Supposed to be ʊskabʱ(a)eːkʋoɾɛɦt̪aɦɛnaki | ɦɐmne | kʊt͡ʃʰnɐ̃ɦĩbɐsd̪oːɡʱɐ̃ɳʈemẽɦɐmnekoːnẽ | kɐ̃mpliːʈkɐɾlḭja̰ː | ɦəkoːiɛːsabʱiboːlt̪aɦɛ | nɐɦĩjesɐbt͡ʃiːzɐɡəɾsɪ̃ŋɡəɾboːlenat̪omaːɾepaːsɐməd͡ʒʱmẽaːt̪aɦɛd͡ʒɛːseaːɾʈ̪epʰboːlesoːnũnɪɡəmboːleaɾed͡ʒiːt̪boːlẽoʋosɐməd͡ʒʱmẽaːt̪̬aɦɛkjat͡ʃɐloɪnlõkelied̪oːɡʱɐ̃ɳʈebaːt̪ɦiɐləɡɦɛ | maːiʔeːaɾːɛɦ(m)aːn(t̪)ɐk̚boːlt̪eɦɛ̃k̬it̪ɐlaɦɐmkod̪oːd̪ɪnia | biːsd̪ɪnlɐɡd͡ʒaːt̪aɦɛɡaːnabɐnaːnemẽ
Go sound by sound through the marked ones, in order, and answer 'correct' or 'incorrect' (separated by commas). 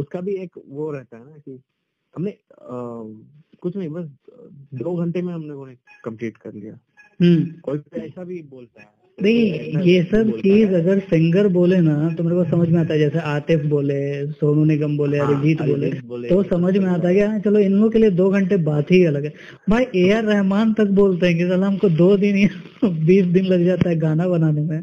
incorrect, correct, correct